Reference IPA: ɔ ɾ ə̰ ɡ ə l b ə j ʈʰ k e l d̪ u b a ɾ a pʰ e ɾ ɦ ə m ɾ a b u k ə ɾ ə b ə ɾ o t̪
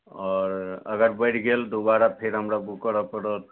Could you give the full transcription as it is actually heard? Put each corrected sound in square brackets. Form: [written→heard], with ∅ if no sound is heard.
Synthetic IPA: ɔ ɾ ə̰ ɡ ə [l→ɾ] b ə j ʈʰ [k→ɡ] e l d̪ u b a ɾ a pʰ e ɾ ɦ ə m ɾ a b u k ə ɾ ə [b→p] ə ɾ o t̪